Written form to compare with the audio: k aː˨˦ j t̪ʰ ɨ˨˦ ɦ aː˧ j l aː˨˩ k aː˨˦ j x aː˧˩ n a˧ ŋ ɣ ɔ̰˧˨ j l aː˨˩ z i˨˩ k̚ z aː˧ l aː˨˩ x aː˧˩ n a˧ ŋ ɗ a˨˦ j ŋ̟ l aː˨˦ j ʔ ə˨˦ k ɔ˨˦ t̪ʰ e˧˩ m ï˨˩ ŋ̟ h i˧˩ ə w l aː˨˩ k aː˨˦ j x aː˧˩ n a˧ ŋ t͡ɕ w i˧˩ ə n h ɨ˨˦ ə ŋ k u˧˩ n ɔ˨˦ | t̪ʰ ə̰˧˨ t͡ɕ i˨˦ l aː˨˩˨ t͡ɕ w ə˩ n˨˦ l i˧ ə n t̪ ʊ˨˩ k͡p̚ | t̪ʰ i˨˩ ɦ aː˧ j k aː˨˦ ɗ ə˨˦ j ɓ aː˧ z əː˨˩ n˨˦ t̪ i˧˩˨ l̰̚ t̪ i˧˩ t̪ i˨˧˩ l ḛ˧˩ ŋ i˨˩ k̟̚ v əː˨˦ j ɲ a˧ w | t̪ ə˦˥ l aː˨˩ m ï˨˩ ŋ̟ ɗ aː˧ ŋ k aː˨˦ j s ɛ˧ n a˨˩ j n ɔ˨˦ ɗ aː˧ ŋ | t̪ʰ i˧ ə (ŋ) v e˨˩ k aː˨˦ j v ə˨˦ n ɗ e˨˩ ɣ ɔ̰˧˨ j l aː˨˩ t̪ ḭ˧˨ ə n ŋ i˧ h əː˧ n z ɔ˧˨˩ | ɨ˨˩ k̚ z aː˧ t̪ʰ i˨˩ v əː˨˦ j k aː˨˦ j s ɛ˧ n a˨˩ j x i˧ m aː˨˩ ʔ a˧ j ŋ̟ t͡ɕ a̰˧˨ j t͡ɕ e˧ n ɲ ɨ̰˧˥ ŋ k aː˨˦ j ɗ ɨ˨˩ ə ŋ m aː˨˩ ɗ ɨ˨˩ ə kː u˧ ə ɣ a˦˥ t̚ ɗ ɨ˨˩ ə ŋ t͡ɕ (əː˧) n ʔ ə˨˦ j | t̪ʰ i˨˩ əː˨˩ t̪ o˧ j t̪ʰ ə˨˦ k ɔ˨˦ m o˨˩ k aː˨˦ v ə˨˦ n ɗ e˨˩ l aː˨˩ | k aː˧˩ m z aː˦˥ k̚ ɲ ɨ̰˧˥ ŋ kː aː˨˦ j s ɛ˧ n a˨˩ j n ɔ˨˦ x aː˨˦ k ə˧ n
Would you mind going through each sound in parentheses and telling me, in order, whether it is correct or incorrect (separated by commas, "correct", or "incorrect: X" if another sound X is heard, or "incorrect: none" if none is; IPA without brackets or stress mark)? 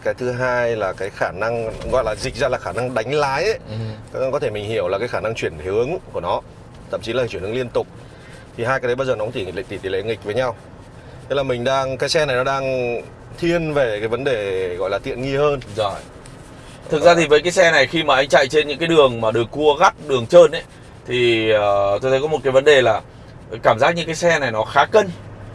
incorrect: n, correct